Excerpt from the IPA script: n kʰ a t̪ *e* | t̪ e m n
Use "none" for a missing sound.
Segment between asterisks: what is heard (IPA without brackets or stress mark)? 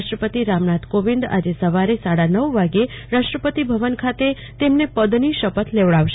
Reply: e